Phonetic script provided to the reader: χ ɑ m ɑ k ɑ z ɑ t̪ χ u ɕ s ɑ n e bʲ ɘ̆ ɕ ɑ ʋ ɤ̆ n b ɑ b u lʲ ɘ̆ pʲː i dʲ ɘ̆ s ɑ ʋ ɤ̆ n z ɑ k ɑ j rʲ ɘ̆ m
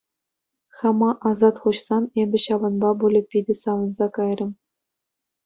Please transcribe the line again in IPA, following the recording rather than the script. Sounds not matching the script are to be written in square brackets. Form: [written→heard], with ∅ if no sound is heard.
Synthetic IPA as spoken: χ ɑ m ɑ [k→ʔ] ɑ z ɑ t̪ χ u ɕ s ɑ n e bʲ ɘ̆ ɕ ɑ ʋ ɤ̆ n b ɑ b u lʲ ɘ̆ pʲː i dʲ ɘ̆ s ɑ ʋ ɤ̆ n z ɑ k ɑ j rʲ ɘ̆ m